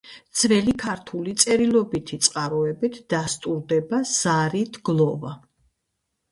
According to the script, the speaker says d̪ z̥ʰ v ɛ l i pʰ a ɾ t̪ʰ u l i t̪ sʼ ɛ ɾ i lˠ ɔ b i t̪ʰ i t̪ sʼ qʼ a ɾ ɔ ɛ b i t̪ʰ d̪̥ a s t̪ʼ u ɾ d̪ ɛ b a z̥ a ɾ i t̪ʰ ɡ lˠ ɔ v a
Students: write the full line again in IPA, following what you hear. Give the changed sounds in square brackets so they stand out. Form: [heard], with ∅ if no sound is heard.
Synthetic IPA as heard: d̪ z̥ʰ v ɛ l i [kʰ] a ɾ t̪ʰ u l i t̪ sʼ ɛ ɾ i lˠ ɔ b i t̪ʰ i t̪ sʼ qʼ a ɾ ɔ ɛ b i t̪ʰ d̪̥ a s t̪ʼ u ɾ d̪ ɛ b a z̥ a ɾ i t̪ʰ ɡ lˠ ɔ v a